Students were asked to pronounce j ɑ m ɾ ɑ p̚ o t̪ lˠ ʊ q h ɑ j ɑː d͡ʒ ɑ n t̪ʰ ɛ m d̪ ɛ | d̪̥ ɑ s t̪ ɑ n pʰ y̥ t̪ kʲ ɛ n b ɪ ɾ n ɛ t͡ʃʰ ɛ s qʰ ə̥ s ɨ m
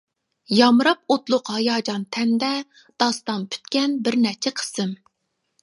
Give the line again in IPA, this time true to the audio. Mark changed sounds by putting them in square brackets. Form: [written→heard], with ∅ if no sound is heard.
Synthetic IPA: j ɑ m ɾ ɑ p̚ o t̪ lˠ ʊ q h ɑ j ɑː d͡ʒ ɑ n t̪ʰ ɛ [m→n] d̪ ɛ | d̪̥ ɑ s t̪ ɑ n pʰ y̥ t̪ kʲ ɛ n b ɪ ɾ n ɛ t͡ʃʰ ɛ [s→∅] qʰ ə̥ s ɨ m